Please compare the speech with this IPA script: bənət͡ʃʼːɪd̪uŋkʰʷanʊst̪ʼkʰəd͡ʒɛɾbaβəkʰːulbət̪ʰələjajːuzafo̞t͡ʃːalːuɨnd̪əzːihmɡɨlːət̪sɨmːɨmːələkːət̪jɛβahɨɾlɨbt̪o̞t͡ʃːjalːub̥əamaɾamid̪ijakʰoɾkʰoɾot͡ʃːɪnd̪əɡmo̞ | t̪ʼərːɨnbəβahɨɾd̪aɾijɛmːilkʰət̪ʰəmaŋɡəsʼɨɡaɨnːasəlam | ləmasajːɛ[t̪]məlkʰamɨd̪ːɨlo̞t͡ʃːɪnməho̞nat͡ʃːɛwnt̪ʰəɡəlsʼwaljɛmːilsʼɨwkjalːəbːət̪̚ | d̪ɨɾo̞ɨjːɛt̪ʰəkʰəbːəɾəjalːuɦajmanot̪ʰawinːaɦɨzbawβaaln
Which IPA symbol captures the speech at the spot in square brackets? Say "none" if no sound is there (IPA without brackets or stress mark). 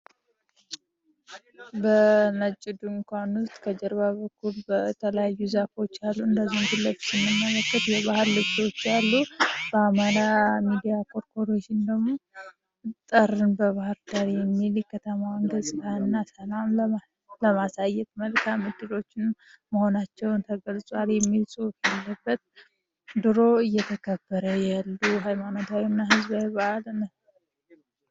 t̪